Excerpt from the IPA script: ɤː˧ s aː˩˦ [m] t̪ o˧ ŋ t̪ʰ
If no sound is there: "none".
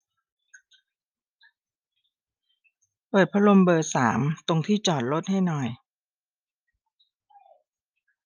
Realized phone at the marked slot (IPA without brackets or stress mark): m